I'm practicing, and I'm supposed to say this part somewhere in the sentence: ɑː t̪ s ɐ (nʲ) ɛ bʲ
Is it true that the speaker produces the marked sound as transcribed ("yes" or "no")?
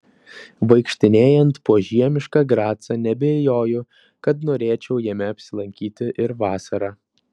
yes